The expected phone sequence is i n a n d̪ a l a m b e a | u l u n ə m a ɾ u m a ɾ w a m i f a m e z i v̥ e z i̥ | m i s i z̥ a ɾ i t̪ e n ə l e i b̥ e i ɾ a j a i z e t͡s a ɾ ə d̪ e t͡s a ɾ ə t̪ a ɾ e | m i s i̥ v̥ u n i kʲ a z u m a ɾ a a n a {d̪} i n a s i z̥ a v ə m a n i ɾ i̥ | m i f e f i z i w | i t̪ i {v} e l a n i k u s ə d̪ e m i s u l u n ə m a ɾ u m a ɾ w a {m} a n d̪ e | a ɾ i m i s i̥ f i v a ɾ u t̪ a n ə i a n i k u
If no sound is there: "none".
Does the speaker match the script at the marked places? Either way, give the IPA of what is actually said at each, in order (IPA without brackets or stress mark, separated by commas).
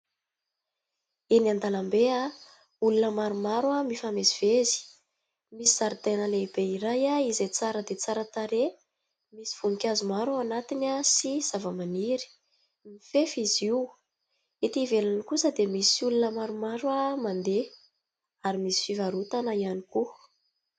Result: t̪, v, m